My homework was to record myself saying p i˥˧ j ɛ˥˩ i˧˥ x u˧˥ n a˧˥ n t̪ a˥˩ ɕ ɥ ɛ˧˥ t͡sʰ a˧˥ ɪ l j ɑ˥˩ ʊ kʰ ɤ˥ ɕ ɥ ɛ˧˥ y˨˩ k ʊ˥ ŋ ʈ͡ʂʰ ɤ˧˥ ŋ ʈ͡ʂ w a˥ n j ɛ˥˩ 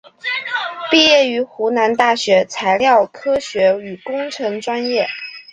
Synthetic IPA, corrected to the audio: p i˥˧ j ɛ˥˩ y˧˥ x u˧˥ n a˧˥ n t̪ a˥˩ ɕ ɥ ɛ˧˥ t͡sʰ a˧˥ ɪ l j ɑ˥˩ ʊ kʰ ɤ˥ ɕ ɥ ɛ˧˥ y˨˩ k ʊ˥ ŋ ʈ͡ʂʰ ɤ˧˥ ŋ ʈ͡ʂ w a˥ n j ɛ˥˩